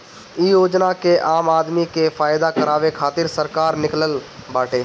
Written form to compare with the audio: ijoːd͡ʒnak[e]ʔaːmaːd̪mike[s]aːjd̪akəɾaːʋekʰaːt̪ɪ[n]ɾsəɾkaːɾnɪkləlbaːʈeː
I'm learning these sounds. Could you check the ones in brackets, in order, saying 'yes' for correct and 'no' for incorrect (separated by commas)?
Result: yes, no, no